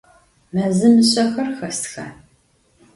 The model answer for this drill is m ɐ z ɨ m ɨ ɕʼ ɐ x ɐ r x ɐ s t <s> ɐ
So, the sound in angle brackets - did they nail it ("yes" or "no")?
no